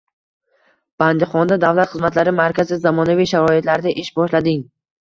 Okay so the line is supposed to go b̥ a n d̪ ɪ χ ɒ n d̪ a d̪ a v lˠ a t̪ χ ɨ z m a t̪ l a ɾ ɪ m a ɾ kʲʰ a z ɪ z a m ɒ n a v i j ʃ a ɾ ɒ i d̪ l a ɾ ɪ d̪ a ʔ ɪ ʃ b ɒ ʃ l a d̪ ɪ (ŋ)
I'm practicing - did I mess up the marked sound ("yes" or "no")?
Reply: no